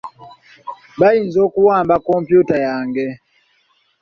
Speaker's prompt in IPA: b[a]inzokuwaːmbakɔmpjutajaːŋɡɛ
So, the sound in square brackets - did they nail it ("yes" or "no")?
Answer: yes